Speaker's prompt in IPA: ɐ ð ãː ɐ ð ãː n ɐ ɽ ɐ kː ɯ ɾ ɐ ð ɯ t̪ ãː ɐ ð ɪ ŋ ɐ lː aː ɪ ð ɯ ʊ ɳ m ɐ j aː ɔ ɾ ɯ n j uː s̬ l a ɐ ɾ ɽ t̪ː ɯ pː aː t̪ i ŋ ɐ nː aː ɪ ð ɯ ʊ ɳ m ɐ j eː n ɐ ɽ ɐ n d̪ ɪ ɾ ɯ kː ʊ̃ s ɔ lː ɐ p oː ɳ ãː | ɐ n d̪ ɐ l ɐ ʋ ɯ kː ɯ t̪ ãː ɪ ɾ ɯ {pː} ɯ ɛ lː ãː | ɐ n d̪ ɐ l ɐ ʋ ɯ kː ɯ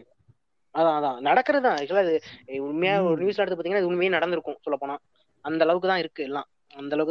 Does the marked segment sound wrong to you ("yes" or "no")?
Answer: yes